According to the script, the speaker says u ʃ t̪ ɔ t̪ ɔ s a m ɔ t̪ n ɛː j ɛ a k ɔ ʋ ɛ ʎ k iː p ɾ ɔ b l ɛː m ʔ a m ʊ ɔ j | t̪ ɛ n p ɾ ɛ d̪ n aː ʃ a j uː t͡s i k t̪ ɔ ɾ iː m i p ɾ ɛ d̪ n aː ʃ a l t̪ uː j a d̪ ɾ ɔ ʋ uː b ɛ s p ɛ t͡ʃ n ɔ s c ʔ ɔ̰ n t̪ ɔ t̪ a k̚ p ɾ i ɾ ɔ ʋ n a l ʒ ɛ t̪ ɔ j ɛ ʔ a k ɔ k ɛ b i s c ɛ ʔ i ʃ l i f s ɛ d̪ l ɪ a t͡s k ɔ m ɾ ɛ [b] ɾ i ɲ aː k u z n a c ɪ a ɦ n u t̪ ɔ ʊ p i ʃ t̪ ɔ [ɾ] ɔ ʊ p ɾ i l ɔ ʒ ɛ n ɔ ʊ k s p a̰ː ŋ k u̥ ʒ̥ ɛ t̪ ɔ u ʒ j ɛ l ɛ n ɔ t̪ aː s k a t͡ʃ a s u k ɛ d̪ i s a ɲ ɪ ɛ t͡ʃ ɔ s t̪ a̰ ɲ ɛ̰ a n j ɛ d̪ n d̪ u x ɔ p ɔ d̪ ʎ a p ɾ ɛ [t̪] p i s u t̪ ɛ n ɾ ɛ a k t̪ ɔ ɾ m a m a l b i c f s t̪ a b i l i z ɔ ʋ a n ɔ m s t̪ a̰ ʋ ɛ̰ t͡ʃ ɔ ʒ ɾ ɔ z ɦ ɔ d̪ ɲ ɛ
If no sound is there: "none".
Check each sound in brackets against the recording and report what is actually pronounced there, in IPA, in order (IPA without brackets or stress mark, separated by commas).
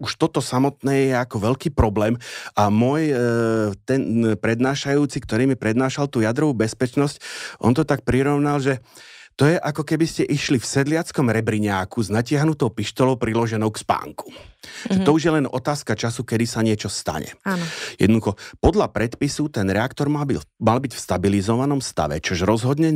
b, l, t̪